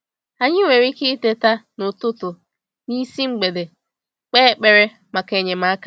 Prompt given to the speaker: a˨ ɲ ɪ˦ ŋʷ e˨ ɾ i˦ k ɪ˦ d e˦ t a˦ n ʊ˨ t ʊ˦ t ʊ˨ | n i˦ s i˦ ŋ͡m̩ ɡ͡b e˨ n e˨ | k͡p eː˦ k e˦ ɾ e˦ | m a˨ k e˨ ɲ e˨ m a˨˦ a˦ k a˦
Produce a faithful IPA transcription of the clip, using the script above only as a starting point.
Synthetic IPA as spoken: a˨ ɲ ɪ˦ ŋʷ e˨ ɾ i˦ k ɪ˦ t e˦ t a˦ n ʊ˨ t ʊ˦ t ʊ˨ | n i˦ s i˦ ŋ͡m̩ ɡ͡b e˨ d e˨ | k͡p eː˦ k͡p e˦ ɾ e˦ | m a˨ k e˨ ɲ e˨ m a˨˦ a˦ k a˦